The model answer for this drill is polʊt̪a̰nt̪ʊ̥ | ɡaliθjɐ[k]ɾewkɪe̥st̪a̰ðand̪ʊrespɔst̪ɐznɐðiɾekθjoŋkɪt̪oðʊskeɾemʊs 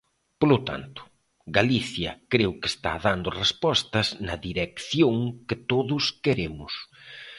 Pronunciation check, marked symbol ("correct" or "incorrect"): correct